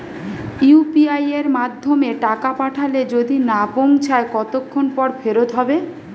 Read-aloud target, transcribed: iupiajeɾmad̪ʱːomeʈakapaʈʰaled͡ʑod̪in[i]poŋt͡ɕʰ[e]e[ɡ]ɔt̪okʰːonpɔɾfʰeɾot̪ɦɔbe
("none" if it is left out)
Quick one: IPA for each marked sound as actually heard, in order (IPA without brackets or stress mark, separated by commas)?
a, a, k